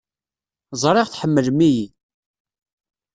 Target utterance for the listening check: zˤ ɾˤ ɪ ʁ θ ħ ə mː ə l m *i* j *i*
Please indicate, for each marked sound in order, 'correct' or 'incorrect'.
correct, correct

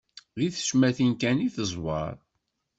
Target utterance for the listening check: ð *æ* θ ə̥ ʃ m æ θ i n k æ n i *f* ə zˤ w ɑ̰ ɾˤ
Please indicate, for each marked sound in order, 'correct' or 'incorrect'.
incorrect, incorrect

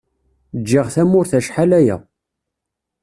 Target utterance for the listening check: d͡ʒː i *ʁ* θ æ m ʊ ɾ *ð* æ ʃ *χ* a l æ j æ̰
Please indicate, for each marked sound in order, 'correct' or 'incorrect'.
correct, incorrect, incorrect

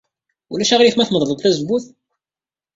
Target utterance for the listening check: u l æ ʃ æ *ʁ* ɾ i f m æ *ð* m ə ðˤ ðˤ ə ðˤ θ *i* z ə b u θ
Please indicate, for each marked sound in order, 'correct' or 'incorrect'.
correct, incorrect, incorrect

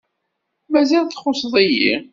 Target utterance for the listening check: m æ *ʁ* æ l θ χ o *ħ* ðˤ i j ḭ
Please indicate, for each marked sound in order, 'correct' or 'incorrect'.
incorrect, incorrect

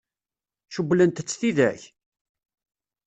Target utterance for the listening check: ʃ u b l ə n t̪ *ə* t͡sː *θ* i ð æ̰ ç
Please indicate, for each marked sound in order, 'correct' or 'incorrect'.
correct, correct

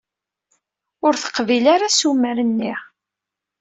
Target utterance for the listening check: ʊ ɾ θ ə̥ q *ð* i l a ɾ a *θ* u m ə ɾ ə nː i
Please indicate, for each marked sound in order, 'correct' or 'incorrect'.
incorrect, incorrect

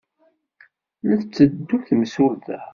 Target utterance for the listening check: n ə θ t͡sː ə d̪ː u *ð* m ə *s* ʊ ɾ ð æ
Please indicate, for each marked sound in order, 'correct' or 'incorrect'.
incorrect, correct

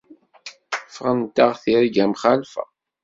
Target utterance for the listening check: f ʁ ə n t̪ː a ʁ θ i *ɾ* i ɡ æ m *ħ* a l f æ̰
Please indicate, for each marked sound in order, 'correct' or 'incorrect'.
correct, incorrect

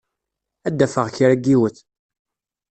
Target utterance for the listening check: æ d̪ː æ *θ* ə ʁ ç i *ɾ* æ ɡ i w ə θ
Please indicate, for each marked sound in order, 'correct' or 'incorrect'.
incorrect, correct

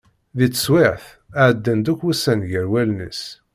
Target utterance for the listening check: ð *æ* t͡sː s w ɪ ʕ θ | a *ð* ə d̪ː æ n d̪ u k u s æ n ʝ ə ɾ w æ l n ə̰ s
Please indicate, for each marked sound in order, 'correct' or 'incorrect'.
incorrect, incorrect

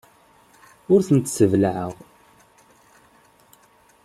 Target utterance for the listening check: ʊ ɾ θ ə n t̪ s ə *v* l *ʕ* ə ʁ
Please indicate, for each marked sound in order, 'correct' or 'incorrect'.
correct, correct

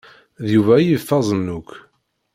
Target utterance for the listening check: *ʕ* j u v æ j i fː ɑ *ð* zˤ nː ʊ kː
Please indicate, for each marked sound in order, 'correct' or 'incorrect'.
incorrect, incorrect

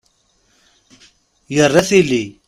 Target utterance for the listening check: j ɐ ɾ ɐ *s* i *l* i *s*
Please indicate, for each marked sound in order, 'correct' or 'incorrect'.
correct, correct, incorrect

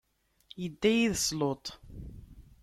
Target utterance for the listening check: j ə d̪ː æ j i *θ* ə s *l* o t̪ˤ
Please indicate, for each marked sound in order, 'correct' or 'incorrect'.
incorrect, correct

